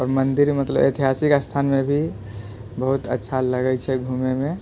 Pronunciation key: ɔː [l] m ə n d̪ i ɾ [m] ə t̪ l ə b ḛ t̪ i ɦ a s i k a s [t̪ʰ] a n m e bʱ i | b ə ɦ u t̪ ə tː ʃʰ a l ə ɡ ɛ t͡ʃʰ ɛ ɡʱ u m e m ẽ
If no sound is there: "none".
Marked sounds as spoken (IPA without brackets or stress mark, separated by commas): ɾ, m, t̪ʰ